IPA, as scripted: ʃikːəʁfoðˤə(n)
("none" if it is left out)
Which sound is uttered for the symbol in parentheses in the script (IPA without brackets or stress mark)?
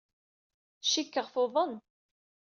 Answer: n